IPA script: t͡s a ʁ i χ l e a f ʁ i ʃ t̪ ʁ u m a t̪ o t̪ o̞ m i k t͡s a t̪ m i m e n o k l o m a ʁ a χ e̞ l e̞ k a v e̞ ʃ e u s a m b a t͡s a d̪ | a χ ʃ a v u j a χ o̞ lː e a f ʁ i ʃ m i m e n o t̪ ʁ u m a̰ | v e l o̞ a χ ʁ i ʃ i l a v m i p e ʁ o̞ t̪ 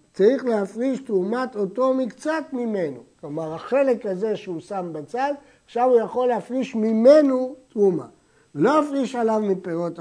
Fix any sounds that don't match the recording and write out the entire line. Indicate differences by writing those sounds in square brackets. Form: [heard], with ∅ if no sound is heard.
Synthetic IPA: t͡s a ʁ i χ l e a f ʁ i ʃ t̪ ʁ u m a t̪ o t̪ o̞ m i k t͡s a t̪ m i m e n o k l o m a ʁ a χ e̞ l e̞ k a [z] e̞ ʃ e u s a m b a t͡s a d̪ | a χ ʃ a v u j a χ o̞ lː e a f ʁ i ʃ m i m e n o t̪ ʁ u m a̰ | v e l o̞ a [f] ʁ i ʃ [a] l a v m i p e ʁ o̞ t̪